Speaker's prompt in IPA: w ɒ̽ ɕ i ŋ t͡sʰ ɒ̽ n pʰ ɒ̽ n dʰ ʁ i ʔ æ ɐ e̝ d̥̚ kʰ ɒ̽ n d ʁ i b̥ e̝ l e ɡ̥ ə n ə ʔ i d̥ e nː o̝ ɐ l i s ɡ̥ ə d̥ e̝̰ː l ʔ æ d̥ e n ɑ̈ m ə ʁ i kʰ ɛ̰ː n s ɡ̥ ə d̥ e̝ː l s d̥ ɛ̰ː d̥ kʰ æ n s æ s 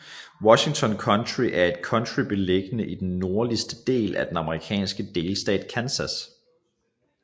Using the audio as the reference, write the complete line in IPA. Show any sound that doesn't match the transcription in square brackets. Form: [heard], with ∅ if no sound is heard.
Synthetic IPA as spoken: w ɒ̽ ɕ i ŋ t͡sʰ ɒ̽ n [kʰ] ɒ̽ n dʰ ʁ i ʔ æ ɐ e̝ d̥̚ kʰ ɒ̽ n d ʁ i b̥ e̝ l e ɡ̥ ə n ə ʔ i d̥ e nː o̝ ɐ l i s [d̥] ə d̥ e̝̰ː l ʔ æ d̥ e n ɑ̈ m ə ʁ i kʰ ɛ̰ː n s ɡ̥ ə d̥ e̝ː l s d̥ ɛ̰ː d̥ kʰ æ n s æ s